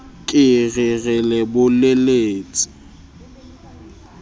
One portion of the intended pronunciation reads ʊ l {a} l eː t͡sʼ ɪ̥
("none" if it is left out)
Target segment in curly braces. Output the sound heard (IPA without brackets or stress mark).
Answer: e